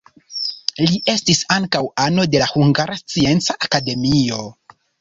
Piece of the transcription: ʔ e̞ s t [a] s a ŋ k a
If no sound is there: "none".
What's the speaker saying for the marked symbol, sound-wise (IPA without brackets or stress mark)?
i